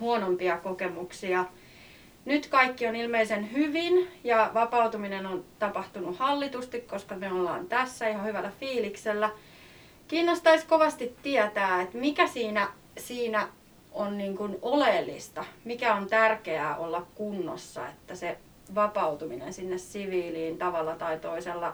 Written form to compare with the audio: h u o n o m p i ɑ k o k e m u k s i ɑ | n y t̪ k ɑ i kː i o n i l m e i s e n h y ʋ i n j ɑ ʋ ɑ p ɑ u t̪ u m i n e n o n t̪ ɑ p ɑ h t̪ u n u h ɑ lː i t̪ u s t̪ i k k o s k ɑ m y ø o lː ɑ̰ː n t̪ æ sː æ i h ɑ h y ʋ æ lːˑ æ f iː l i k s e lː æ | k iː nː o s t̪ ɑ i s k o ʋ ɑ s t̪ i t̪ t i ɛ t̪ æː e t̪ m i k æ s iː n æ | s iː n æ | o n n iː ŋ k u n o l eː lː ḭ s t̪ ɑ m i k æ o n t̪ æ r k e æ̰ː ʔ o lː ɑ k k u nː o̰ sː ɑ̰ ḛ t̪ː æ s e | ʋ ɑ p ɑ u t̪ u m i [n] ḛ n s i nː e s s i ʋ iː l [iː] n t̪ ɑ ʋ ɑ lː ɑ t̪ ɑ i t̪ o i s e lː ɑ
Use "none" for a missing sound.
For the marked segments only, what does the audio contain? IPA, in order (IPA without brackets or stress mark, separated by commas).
n, iː